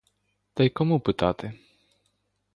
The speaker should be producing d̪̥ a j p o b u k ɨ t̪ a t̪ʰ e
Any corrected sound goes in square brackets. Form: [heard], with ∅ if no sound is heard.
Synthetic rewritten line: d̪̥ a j [k] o [m] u [p] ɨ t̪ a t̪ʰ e